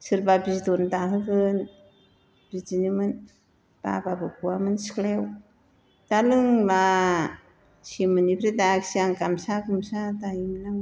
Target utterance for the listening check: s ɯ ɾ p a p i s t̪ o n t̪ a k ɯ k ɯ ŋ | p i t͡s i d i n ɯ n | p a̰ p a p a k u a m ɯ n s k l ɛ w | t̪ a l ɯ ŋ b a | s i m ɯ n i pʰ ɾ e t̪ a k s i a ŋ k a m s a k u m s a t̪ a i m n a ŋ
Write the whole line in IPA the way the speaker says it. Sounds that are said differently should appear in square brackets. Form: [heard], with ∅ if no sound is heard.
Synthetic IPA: s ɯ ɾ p a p i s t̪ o n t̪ a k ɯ k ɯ [n] | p i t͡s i [n] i [m] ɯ n | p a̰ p a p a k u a m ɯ n s k l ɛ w | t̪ a l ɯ ŋ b a | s i m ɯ n i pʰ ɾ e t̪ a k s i a ŋ k a m s a k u m s a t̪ a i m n a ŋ